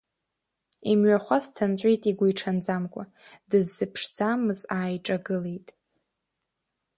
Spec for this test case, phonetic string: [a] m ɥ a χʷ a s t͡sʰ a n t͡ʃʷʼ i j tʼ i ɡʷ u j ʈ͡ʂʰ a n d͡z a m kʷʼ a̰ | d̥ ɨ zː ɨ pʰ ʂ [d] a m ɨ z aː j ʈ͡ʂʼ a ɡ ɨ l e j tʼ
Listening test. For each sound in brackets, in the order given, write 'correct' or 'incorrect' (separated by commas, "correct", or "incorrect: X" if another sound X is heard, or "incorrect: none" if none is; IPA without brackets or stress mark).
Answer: incorrect: i, incorrect: d͡z